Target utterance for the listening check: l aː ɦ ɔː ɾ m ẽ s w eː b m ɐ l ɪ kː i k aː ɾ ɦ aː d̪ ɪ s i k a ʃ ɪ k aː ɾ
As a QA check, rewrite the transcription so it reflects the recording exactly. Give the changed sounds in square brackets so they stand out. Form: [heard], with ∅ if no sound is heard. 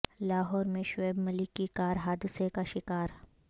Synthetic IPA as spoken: l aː ɦ ɔː ɾ m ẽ [ʃ] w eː b m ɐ l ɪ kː i k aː ɾ ɦ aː d̪ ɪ s [e] k a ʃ ɪ k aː ɾ

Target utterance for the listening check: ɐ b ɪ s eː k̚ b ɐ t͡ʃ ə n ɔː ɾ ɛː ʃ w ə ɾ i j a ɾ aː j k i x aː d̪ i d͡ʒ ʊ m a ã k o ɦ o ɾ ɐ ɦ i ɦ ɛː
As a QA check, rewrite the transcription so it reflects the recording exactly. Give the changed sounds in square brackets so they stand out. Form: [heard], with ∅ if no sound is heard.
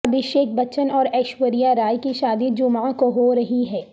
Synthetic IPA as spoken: ɐ b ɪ [ʃ] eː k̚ b ɐ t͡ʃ ə n ɔː ɾ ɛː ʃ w ə ɾ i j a ɾ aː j k i [ʃ] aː d̪ i d͡ʒ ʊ m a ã k o ɦ o ɾ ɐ ɦ i ɦ ɛː

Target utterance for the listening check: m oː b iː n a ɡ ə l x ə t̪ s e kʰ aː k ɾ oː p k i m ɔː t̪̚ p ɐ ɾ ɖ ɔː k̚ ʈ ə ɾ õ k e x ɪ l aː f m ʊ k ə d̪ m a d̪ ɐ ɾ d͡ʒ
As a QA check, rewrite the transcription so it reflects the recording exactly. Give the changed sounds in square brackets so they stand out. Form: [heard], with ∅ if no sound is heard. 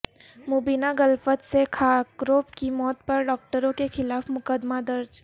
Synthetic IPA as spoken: m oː b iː n a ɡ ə l [f] ə t̪ s e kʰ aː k ɾ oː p k i m ɔː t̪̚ p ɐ ɾ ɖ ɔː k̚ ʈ ə ɾ õ k e x ɪ l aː f m ʊ k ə d̪ m a d̪ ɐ ɾ d͡ʒ

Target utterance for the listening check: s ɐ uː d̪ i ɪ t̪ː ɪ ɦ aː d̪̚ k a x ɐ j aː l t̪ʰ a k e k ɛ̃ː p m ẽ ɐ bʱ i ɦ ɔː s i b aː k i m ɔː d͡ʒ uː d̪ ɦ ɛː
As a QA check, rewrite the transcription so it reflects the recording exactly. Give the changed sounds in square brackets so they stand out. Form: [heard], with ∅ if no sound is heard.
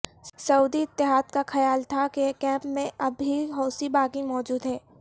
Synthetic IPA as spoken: s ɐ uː d̪ i ɪ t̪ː ɪ ɦ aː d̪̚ k a x ɐ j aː l t̪ʰ a k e k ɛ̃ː p m ẽ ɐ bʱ i ɦ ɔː s i b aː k i m ɔː d͡ʒ uː d̪ ɦ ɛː

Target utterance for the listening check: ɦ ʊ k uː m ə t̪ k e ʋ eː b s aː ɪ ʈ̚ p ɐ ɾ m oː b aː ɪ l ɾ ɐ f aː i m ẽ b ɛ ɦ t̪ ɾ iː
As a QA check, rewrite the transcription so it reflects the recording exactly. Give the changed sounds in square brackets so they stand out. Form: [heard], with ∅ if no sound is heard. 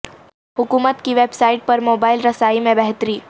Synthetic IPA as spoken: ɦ ʊ k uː m ə t̪ k [i] ʋ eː b s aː ɪ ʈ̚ p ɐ ɾ m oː b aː ɪ l ɾ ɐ [s] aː i m ẽ b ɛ ɦ t̪ ɾ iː

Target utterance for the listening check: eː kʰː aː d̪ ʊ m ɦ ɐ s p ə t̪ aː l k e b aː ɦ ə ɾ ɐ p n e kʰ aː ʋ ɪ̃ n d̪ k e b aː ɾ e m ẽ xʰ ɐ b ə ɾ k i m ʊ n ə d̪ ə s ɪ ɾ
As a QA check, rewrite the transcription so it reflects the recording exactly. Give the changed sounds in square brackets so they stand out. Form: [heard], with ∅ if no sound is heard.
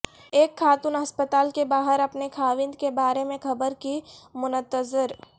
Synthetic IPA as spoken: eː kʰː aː [t̪] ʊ [n] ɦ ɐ s p ə t̪ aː l k e b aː ɦ ə ɾ ɐ p n e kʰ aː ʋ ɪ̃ n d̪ k e b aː ɾ e m ẽ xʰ ɐ b ə ɾ k i m ʊ n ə [t̪] ə [z] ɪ ɾ

